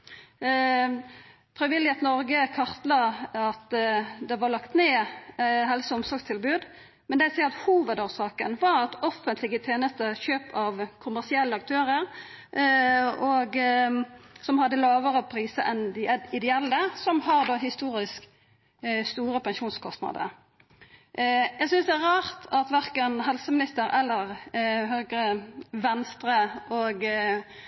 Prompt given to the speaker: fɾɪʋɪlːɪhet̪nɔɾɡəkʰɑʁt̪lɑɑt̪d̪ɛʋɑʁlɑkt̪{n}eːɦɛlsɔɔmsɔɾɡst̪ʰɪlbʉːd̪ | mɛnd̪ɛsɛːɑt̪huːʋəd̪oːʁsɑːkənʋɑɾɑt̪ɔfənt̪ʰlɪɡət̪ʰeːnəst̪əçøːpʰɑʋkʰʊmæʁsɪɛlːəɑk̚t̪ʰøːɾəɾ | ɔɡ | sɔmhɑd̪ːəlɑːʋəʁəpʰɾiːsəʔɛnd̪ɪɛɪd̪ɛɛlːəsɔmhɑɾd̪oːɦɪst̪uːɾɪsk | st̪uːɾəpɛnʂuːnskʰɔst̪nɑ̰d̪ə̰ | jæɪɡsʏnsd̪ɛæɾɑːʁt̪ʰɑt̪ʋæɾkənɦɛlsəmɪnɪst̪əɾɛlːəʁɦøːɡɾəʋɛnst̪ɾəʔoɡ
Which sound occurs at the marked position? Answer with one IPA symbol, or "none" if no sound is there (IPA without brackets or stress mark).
n